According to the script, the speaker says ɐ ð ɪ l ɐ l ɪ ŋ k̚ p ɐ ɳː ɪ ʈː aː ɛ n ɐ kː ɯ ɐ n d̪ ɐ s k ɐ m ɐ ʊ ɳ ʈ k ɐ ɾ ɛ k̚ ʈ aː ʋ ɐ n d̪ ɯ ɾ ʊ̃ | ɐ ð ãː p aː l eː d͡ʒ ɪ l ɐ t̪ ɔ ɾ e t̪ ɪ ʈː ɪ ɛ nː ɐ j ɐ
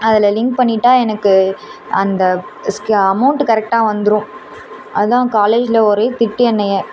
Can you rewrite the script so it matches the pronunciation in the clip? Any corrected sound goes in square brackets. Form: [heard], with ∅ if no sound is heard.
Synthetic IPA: ɐ ð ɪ l ɐ l ɪ ŋ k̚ p ɐ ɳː ɪ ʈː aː ɛ n ɐ kː ɯ ɐ n d̪ ɐ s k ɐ m ɐ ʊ ɳ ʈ k ɐ ɾ ɛ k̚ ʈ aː ʋ ɐ n d̪ ɯ ɾ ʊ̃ | ɐ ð ãː [k] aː l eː d͡ʒ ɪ l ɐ [∅] ɔ ɾ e t̪ ɪ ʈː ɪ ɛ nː ɐ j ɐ